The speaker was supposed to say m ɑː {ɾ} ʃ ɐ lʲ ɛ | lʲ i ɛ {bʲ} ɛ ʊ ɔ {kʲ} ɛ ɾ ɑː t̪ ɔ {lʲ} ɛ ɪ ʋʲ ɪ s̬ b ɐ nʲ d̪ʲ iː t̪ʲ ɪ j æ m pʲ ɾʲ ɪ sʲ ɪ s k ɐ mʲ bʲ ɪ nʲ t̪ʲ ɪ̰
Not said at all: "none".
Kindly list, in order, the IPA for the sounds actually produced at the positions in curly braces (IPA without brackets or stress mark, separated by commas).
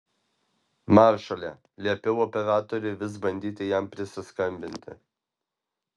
ɾ, pʲ, pʲ, ɾʲ